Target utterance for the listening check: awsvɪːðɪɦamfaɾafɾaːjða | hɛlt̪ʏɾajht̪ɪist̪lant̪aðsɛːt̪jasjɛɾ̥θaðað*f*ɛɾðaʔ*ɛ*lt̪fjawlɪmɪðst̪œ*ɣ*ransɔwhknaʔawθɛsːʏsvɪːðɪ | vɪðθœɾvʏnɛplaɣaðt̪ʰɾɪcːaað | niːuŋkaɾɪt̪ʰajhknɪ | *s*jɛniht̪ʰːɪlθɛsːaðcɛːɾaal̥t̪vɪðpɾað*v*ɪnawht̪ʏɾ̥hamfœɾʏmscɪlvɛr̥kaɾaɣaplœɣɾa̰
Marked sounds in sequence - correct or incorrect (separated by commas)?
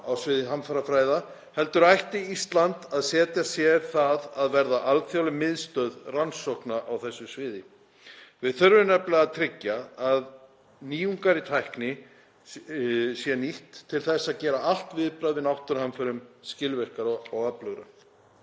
incorrect, incorrect, incorrect, correct, correct